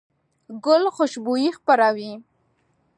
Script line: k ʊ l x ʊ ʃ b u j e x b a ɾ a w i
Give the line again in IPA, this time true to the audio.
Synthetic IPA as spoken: ɡ ʊ l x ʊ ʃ b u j i x p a ɾ a w i